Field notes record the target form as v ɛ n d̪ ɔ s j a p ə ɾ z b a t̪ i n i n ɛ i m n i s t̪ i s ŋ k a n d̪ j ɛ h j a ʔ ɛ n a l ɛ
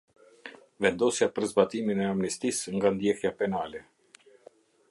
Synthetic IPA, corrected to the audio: v ɛ n d̪ ɔ s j a p ə ɾ z b a t̪ i m i n ɛ a m n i s t̪ i s ŋ ɡ a n d̪ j ɛ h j a p ɛ n a l ɛ